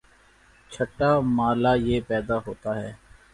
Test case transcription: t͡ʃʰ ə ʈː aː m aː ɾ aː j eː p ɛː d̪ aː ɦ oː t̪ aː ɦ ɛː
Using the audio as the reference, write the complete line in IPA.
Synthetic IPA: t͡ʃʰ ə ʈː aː m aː l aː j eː p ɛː d̪ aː ɦ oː t̪ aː ɦ ɛː

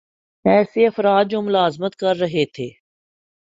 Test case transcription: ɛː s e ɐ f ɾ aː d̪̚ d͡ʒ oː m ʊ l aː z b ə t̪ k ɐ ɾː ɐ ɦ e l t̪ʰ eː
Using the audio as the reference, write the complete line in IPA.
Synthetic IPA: ɛː s e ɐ f ɾ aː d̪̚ d͡ʒ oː m ʊ l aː z m ə t̪ k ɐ ɾː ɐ ɦ e t̪ʰ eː

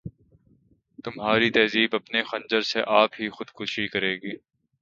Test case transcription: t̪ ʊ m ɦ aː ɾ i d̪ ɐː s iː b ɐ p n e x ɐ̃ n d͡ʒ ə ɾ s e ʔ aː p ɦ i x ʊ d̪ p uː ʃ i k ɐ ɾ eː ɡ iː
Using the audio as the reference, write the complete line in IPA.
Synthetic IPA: t̪ ʊ m ɦ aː ɾ i t̪ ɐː z iː b ɐ p n e x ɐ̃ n d͡ʒ ə ɾ s e ʔ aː p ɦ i x ʊ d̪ k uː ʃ i k ɐ ɾ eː ɡ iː

